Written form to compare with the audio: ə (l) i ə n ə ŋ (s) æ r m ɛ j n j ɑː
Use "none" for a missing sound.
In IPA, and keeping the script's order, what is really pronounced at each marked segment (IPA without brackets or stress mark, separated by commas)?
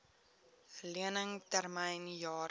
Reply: l, t